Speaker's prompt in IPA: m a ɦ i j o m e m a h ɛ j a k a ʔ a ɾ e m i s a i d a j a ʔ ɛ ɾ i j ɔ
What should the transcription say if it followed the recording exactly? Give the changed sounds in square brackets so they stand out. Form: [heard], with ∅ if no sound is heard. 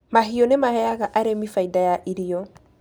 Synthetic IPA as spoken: m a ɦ i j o [n] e m a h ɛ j a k a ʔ a ɾ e m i [f] a i d a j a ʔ [i] ɾ i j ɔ